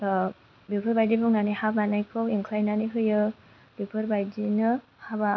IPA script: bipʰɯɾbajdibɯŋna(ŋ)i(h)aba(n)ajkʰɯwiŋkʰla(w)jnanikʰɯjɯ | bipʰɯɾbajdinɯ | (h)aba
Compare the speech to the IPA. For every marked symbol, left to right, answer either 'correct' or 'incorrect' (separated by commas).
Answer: incorrect, correct, correct, incorrect, correct